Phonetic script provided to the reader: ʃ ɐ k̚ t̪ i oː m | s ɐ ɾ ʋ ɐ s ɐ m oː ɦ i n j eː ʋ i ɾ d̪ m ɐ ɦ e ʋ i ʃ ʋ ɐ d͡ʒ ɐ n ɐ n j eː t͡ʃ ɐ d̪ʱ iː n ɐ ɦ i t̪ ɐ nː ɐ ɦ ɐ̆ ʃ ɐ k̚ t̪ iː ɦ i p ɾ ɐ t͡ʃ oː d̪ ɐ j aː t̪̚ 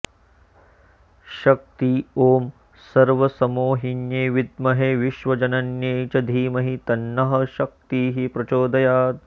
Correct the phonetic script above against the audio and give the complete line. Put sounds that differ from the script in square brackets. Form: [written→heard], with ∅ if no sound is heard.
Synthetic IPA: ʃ ɐ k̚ t̪ i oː m | s ɐ ɾ ʋ ɐ s ɐ m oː ɦ i n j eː ʋ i [ɾ→∅] d̪ m ɐ ɦ e ʋ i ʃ ʋ ɐ d͡ʒ ɐ n ɐ n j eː t͡ʃ ɐ d̪ʱ iː [n→m] ɐ ɦ i t̪ ɐ nː ɐ ɦ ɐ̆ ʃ ɐ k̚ t̪ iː ɦ i p ɾ ɐ t͡ʃ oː d̪ ɐ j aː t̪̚